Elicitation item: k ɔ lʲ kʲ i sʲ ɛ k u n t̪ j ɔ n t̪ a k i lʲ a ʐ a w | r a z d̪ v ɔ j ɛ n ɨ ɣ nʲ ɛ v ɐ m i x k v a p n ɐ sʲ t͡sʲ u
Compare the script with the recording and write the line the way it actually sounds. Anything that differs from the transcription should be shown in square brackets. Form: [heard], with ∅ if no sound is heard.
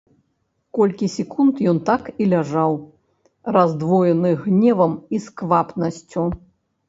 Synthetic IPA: k ɔ lʲ kʲ i sʲ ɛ k u n t̪ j ɔ n t̪ a k i lʲ a ʐ a w | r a z d̪ v ɔ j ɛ n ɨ ɣ nʲ ɛ v ɐ m i [s] k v a p n ɐ sʲ t͡sʲ u